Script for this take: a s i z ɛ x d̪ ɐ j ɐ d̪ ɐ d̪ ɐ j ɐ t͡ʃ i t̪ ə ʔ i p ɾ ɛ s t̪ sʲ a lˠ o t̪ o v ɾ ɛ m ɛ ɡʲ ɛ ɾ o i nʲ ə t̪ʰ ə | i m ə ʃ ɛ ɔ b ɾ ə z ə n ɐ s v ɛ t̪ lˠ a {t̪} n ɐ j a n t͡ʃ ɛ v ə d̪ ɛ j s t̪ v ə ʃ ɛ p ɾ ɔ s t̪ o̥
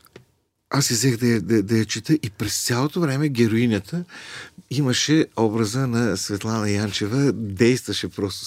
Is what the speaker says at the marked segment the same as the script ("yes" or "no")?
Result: no